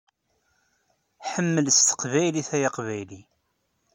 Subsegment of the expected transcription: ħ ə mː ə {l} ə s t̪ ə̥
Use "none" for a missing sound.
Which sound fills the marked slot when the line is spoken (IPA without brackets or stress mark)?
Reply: l